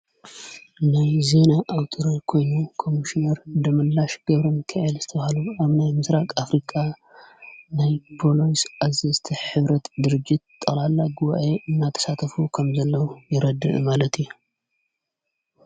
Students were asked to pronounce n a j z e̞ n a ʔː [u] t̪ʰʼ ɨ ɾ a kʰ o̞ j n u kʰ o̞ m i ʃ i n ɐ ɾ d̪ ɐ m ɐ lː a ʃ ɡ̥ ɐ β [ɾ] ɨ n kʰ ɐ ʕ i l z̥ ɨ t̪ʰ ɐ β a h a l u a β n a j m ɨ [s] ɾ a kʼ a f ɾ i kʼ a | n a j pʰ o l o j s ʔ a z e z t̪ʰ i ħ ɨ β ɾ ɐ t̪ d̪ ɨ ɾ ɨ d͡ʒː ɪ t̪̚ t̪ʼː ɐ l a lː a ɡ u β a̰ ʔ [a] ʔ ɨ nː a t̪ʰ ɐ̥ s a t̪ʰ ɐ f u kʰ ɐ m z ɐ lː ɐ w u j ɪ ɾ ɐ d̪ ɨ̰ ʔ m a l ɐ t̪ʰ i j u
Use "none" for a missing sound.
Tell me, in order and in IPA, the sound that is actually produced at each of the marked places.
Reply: w, ɾ, s, e

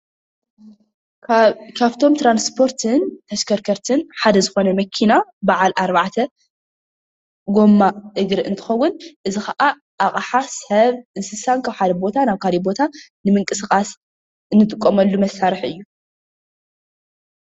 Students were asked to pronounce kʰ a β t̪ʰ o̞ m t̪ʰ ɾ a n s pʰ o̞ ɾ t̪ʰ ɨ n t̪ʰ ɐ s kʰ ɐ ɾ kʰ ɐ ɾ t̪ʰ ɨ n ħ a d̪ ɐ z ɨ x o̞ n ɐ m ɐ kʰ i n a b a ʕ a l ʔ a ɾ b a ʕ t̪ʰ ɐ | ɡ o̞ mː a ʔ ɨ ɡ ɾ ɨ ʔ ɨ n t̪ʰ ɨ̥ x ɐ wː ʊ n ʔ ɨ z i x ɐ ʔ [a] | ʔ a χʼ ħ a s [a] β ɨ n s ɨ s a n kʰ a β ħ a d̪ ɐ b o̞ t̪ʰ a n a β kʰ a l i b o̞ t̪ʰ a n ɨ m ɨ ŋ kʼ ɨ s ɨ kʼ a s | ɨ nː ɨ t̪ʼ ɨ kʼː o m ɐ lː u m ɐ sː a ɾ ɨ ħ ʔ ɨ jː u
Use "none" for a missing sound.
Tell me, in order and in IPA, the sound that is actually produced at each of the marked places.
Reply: a, ɐ

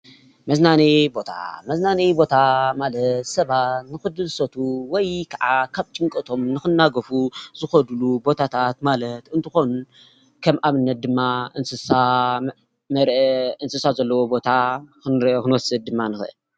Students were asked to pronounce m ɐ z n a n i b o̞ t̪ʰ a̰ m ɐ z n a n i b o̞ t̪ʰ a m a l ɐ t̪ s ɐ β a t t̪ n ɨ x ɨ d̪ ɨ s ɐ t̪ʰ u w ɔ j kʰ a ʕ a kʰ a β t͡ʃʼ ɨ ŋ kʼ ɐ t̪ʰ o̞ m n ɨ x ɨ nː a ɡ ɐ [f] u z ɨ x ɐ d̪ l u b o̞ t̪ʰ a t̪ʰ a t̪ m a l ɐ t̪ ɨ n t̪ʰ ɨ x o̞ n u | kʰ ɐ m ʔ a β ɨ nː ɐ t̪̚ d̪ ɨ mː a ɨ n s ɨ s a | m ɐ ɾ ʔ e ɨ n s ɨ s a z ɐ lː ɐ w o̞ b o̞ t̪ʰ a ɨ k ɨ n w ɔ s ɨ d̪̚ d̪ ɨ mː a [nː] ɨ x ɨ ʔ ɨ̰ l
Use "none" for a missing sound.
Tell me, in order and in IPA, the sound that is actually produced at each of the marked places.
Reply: f, n

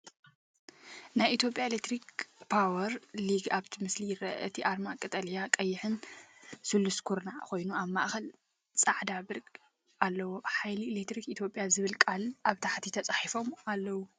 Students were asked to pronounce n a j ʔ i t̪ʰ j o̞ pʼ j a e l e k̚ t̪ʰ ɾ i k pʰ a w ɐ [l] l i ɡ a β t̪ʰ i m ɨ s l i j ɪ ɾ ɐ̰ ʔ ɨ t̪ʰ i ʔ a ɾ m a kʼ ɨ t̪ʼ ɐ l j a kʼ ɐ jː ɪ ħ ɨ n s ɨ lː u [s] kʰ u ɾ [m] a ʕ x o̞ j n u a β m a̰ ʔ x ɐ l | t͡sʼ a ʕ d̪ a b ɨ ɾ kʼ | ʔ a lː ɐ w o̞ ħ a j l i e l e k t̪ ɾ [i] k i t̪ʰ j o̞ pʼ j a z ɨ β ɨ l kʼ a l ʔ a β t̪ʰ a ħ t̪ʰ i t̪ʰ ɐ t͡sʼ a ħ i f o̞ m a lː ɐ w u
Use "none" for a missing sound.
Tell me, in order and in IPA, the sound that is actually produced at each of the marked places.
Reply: ɾ, s, n, i

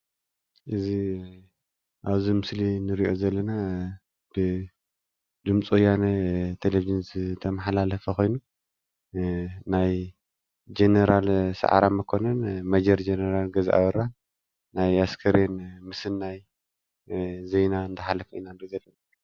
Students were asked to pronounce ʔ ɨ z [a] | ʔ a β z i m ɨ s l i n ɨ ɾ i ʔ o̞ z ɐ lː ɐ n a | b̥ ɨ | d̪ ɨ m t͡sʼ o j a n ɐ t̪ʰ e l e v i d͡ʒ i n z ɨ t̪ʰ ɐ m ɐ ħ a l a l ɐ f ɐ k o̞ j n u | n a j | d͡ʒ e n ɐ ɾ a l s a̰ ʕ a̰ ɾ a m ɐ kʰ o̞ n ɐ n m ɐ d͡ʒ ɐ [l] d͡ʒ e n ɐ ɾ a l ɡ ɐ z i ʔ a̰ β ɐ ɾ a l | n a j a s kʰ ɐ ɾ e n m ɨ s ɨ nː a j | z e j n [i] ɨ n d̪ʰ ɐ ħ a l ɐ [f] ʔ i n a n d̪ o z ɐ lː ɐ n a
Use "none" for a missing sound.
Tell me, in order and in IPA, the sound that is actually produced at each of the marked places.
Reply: i, ɾ, a, f

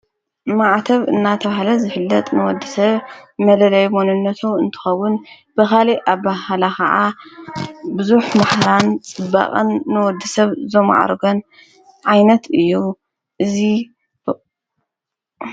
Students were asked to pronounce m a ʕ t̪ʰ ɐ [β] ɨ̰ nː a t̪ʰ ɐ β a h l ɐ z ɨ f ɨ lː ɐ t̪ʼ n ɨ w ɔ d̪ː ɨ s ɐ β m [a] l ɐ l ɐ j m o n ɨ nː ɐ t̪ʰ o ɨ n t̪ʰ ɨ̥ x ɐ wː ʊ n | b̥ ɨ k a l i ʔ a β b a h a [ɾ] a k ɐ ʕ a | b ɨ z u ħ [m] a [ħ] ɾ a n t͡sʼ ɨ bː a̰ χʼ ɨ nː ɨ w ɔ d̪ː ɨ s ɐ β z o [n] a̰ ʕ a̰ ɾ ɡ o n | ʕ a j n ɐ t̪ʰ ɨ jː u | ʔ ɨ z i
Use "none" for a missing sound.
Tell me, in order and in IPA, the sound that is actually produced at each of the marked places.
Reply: β, ɐ, l, m, ħ, m

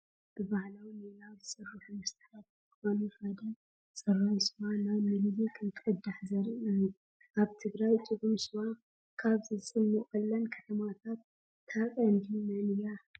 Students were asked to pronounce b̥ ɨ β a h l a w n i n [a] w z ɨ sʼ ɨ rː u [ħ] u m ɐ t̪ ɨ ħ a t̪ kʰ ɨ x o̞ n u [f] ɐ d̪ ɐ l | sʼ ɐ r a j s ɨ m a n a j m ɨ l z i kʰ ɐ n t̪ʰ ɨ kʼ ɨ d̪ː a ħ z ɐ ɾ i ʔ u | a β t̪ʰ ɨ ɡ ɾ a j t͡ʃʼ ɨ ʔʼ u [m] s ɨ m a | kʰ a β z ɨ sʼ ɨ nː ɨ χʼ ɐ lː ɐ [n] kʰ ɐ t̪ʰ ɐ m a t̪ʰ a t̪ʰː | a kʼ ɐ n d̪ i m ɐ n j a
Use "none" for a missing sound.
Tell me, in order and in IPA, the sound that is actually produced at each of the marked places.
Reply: a, ħ, f, m, n

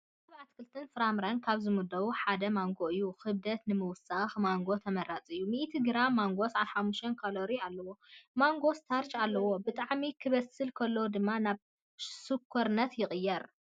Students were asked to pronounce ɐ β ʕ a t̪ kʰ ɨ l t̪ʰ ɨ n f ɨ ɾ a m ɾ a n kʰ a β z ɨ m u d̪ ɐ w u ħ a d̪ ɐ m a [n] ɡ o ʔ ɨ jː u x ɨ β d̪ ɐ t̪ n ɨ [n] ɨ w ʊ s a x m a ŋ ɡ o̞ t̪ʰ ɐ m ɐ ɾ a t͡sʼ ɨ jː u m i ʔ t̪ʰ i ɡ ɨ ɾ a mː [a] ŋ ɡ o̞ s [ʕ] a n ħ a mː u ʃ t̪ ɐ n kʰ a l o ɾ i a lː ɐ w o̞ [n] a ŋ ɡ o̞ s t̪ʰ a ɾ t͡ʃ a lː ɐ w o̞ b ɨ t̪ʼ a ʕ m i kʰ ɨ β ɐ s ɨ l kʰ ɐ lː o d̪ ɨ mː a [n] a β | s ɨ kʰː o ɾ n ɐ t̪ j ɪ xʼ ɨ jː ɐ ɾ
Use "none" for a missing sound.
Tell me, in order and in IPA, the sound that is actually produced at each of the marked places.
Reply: ŋ, m, a, ʕ, m, n

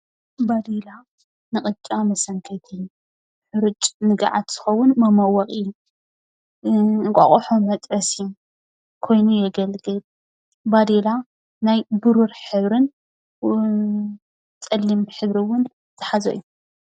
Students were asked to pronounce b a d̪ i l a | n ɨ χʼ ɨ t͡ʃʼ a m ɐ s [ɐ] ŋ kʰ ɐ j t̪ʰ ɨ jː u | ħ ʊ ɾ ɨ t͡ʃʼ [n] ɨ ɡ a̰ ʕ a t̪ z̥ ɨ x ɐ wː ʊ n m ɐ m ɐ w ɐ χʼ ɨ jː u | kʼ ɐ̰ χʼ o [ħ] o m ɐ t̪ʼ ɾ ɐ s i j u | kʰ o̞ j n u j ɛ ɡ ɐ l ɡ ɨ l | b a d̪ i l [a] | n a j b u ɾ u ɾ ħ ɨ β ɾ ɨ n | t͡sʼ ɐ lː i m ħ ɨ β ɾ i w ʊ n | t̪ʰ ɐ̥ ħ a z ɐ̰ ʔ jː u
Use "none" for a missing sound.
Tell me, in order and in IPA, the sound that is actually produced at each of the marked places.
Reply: ɐ, n, ħ, a

